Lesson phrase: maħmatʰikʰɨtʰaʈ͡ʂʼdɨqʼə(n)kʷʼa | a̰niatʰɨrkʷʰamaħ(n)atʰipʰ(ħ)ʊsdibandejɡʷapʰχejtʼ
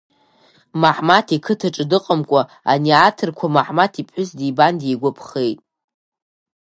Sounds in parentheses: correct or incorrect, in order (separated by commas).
incorrect, incorrect, correct